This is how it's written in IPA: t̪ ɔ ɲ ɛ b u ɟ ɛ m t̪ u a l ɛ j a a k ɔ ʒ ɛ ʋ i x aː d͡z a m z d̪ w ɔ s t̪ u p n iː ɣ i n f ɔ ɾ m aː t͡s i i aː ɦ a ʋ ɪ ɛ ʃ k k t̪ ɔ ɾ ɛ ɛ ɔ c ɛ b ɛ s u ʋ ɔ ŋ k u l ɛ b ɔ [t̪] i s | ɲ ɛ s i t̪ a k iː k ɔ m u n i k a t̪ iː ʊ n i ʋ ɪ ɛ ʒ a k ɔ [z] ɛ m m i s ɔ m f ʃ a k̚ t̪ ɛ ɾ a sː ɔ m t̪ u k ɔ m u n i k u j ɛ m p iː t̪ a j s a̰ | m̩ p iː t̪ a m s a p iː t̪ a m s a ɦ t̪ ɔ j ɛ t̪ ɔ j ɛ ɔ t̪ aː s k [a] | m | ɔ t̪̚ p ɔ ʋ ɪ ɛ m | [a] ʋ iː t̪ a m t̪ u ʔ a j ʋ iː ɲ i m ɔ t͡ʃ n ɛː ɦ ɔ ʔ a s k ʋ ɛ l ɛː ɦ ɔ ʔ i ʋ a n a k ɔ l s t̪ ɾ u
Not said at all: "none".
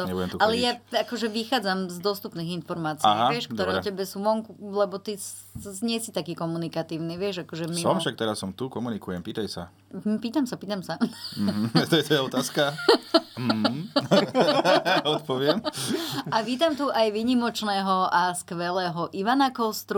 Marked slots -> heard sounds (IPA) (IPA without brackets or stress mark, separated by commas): t̪, ʒ, a, a